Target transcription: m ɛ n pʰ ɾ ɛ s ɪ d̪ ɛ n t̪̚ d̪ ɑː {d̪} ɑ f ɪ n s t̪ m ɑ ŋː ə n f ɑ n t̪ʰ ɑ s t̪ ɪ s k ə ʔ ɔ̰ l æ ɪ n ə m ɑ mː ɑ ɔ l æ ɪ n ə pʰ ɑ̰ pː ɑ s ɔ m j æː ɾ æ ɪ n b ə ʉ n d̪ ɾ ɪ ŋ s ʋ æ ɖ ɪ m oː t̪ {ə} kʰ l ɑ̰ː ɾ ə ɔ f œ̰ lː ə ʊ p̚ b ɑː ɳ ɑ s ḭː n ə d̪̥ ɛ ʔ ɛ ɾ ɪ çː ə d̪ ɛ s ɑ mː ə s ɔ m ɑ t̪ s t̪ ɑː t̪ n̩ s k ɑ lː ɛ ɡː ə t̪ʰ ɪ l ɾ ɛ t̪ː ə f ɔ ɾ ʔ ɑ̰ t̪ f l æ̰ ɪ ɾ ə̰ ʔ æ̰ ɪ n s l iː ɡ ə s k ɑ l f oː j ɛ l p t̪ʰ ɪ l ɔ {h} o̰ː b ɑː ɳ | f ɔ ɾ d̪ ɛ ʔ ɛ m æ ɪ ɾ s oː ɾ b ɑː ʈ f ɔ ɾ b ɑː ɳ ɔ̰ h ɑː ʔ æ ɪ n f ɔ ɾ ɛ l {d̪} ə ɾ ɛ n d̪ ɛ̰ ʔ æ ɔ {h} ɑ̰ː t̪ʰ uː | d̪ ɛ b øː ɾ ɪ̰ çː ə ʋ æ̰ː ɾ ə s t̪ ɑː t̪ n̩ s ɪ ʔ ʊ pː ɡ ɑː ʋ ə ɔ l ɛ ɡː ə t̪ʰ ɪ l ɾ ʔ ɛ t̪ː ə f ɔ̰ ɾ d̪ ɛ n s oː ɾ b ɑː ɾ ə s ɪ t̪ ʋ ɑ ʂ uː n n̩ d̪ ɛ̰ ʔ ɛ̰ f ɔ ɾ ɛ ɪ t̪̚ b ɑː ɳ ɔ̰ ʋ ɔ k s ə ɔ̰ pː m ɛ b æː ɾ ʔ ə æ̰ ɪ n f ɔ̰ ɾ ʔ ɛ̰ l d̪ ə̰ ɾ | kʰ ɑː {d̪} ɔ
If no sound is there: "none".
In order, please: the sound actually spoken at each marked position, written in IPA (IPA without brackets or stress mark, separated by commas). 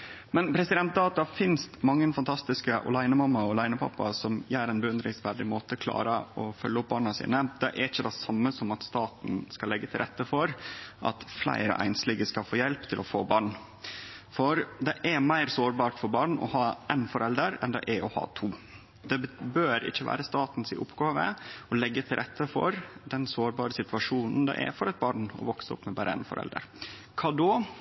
t̪, ə, f, d̪, h, d̪